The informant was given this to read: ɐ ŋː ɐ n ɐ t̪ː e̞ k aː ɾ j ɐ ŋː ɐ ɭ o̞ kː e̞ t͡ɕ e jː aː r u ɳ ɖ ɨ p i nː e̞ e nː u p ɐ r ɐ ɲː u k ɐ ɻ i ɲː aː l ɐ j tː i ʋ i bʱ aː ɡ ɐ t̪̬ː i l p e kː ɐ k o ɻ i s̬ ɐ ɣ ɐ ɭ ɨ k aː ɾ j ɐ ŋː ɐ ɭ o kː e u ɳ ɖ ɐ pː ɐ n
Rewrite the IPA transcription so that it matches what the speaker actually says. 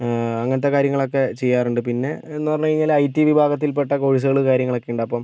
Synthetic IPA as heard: ɐ ŋː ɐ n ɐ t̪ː e̞ k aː ɾ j ɐ ŋː ɐ ɭ o̞ kː e̞ t͡ɕ e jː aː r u ɳ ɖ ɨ p i nː e̞ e nː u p ɐ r ɐ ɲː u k ɐ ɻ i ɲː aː l ɐ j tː i ʋ i bʱ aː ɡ ɐ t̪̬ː i l p e ʈː ɐ k o ɻ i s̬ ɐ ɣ ɐ ɭ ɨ k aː ɾ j ɐ ŋː ɐ ɭ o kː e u ɳ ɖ ɐ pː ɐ m

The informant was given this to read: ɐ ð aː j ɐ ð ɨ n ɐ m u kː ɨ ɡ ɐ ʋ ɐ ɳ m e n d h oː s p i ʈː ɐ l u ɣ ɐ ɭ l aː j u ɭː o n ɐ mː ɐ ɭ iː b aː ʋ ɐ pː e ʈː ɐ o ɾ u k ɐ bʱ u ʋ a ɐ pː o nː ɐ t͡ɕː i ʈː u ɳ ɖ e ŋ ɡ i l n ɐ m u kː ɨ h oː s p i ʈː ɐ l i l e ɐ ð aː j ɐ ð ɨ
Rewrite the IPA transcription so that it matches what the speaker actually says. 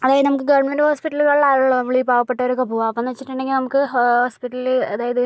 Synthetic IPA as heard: ɐ ð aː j ɐ ð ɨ n ɐ m u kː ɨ ɡ ɐ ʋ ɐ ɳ m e n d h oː s p i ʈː ɐ l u ɣ ɐ ɭ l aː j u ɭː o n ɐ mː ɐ ɭ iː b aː ʋ ɐ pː e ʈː ɐ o ɾ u k ɐ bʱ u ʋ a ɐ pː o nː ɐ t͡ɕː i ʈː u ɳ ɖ e ŋ ɡ i l n ɐ m u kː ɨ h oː s p i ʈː ɐ l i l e ɐ ð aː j ɐ ð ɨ

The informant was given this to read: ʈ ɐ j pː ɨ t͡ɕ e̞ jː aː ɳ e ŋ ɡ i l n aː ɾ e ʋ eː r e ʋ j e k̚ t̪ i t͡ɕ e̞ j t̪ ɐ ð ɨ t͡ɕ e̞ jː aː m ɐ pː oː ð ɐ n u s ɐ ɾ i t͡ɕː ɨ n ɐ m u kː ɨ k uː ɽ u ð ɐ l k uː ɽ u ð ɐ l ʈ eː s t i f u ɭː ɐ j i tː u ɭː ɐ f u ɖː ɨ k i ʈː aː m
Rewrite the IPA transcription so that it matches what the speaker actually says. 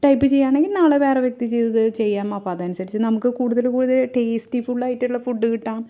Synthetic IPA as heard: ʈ ɐ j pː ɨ t͡ɕ e̞ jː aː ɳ e ŋ ɡ i l n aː ɭ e ʋ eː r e ʋ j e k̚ t̪ i t͡ɕ e̞ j t̪ ɐ ð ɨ t͡ɕ e̞ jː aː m ɐ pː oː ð ɐ n u s ɐ ɾ i t͡ɕː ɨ n ɐ m u kː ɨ k uː ɽ u ð ɐ l k uː ɽ u ð ɐ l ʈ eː s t i f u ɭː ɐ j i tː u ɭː ɐ f u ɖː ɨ k i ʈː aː m

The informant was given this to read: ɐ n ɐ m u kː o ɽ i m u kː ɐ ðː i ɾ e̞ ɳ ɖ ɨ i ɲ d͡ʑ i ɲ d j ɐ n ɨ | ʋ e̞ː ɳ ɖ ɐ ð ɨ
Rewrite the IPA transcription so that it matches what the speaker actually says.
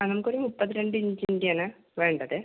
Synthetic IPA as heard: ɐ n ɐ m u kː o ɾ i m u pː ɐ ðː i ɾ e̞ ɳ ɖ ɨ i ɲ d͡ʑ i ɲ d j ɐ n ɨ | ʋ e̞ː ɳ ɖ ɐ ð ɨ

